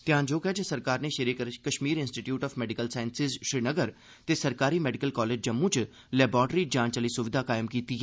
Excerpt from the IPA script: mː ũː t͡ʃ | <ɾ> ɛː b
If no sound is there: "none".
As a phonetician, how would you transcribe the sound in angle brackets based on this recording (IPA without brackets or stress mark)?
l